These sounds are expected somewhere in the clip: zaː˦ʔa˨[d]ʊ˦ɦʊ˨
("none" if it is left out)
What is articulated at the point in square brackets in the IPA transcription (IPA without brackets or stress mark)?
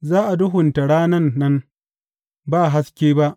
d